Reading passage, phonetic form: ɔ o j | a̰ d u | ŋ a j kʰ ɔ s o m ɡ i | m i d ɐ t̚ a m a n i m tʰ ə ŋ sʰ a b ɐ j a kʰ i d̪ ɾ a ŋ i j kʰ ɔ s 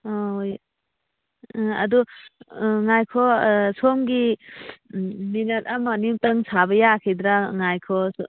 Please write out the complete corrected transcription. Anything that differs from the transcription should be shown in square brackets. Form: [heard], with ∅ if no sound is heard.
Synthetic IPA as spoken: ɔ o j | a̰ d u | ŋ a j kʰ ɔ s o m ɡ i | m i [n] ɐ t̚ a m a n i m [t] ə ŋ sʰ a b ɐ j a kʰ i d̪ ɾ a ŋ [a] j kʰ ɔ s